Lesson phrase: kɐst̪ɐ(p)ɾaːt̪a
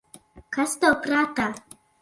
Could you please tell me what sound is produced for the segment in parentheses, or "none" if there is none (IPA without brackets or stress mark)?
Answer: p